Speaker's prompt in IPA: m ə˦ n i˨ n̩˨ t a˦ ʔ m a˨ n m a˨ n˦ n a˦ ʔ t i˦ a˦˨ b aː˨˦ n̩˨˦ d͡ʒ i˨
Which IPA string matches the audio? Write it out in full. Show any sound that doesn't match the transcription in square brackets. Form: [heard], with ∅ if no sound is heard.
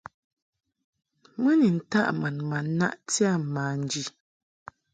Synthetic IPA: m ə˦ n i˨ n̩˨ t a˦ ʔ m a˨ n m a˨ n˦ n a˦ ʔ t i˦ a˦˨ [m] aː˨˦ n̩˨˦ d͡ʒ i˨